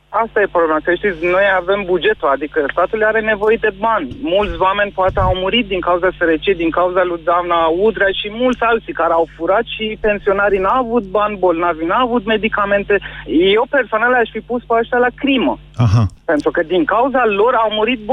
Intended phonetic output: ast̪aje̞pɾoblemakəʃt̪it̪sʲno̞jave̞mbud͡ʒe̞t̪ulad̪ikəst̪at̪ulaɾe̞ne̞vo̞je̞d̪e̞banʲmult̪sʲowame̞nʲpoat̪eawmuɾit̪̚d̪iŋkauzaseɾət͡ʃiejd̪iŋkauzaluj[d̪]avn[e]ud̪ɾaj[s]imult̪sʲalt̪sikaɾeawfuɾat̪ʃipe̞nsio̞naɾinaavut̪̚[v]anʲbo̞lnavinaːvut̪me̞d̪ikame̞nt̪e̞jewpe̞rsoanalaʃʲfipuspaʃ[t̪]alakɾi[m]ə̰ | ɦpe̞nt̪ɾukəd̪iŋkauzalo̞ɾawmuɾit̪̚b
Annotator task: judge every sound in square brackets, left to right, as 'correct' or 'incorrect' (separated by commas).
correct, incorrect, incorrect, incorrect, correct, correct